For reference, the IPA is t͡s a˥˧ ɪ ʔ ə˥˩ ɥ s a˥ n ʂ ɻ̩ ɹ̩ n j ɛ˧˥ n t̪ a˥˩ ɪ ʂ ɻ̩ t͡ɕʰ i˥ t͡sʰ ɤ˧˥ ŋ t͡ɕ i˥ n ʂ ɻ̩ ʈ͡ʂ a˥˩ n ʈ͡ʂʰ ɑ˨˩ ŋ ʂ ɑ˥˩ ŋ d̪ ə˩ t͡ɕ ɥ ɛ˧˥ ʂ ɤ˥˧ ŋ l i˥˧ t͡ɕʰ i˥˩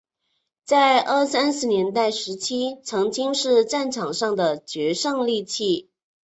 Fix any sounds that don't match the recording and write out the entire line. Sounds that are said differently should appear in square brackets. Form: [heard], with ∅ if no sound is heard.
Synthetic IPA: t͡s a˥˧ ɪ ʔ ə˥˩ [∅] s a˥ n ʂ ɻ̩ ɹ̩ n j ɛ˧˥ n t̪ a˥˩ ɪ ʂ ɻ̩ t͡ɕʰ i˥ t͡sʰ ɤ˧˥ ŋ t͡ɕ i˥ [ŋ] ʂ ɻ̩ ʈ͡ʂ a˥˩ n ʈ͡ʂʰ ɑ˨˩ ŋ ʂ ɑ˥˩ ŋ d̪ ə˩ t͡ɕ ɥ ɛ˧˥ ʂ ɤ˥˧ ŋ l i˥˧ t͡ɕʰ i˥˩